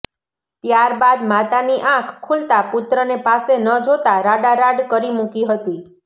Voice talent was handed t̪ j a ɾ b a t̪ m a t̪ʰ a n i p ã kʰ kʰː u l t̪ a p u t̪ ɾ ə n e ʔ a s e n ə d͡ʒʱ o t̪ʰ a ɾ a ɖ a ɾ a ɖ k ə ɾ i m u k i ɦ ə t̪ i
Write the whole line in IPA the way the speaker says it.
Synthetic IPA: t̪ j a ɾ b a d̪ m a t̪ a n i ʔ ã kʰ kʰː u l t̪ a p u t̪ ɾ ə n e p a s e n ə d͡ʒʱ o t̪ a ɾ a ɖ a ɾ a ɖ k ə ɾ i m u k i ɦ ə t̪ i